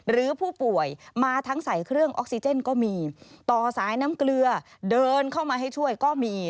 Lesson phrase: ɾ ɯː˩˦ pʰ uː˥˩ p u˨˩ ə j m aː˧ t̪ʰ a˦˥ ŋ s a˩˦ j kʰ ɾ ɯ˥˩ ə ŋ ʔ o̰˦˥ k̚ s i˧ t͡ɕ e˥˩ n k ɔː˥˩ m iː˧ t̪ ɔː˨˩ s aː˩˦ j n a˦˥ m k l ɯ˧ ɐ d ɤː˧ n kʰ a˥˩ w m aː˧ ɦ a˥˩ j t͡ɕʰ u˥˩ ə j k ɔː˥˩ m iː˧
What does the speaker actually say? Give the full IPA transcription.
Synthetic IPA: ɾ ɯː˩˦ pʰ uː˥˩ p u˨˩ ə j m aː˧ t̪ʰ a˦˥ ŋ s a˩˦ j kʰ ɾ ɯ˥˩ ə ŋ ʔ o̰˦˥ k̚ s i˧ t͡ɕ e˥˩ n k ɔː˥˩ m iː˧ t̪ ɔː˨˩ s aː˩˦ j n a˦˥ m k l ɯ˧ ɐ d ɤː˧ n kʰ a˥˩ w m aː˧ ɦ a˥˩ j t͡ɕʰ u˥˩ ə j k ɔː˥˩ m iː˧